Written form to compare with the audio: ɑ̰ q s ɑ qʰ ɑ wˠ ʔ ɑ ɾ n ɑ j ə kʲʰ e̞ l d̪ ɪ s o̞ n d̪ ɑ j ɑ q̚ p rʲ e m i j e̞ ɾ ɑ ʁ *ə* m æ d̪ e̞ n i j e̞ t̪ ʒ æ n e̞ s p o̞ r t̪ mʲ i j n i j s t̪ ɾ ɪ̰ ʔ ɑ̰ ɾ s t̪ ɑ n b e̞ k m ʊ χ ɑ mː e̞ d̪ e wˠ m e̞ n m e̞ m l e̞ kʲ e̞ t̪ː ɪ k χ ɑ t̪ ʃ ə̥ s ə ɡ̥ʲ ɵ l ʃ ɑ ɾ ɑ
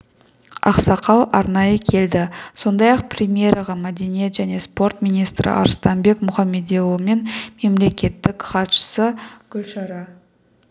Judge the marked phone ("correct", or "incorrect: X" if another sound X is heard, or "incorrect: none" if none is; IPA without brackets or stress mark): incorrect: ɑ